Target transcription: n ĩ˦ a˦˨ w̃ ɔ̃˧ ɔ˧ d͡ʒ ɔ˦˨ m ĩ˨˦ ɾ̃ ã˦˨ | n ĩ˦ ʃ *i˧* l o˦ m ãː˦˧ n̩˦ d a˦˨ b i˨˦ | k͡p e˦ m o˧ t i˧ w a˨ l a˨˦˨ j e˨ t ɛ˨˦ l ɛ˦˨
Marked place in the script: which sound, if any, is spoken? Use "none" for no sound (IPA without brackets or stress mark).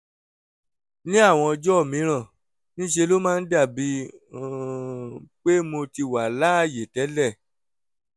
e˧